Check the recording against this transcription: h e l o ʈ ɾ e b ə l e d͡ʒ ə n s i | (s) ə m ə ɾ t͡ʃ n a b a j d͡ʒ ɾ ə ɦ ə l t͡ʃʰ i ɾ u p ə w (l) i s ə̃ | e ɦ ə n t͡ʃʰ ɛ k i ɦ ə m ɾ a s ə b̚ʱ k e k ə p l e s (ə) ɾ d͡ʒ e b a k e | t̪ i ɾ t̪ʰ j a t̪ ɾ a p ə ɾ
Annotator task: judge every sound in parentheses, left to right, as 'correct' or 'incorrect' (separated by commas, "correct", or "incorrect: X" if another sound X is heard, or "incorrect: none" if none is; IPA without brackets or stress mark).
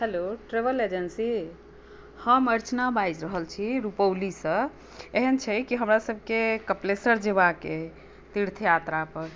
incorrect: h, correct, correct